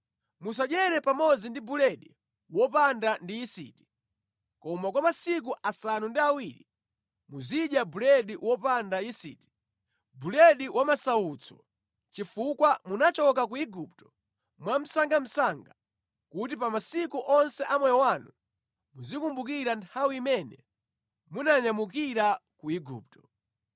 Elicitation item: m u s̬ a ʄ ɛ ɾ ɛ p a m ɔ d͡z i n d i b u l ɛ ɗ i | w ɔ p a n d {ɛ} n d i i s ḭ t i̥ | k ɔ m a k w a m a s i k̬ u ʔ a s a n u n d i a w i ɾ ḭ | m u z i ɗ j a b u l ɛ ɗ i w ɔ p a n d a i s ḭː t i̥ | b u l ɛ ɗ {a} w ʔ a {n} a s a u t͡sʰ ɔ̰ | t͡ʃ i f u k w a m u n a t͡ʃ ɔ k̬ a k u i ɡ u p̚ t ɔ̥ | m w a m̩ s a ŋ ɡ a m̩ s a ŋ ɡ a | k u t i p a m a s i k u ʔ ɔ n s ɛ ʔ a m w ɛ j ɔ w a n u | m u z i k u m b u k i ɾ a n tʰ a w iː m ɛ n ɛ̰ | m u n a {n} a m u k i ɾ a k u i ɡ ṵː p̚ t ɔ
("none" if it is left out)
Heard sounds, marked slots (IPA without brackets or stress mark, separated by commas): a, i, m, ɲ